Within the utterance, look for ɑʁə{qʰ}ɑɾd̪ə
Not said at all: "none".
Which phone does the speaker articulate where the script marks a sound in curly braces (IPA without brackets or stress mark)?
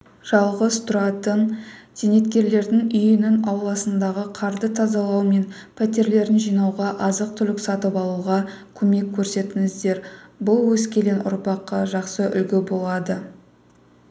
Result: qʰ